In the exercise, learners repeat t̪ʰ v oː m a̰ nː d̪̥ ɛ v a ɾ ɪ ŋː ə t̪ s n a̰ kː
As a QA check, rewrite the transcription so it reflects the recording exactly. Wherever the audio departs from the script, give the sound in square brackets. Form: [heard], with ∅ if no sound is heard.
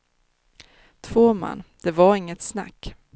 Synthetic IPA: t̪ʰ v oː m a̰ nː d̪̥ ɛ v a ɾ ɪ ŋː ə t̪ s n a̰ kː